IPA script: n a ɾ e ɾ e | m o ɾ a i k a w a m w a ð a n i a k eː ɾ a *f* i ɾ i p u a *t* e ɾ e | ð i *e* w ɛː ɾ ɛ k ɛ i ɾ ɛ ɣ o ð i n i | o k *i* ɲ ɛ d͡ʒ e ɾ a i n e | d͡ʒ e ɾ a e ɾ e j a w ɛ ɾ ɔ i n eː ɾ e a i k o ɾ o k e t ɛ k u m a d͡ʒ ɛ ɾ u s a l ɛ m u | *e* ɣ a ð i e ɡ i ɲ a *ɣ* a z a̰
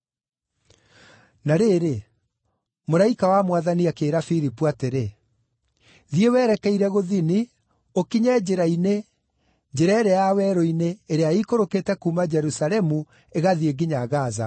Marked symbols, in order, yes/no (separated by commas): yes, yes, yes, yes, yes, yes